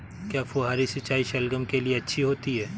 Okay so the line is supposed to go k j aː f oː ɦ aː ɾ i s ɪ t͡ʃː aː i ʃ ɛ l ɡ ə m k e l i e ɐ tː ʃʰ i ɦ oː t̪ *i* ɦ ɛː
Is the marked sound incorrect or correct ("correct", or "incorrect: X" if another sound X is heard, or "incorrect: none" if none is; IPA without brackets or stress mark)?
correct